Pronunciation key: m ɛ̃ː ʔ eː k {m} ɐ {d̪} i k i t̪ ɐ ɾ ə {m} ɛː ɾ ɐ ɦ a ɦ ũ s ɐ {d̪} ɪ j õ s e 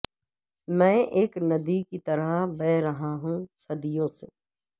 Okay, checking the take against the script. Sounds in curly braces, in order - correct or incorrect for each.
incorrect: n, correct, incorrect: b, correct

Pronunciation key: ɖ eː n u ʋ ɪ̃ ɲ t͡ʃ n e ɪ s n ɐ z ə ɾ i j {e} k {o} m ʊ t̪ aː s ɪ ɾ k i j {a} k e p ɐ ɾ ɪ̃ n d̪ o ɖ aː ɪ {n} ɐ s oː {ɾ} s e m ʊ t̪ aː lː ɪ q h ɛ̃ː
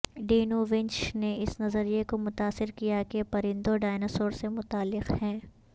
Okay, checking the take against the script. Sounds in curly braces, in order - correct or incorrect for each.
correct, correct, correct, correct, correct

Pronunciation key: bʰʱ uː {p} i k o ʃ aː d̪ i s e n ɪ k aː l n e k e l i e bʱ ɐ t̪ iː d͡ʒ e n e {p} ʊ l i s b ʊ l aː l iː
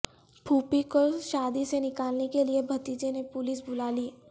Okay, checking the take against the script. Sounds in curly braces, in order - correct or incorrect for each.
correct, correct

